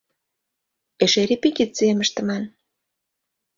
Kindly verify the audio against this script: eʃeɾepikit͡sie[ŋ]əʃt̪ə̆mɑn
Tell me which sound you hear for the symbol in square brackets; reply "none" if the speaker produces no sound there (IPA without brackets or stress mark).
m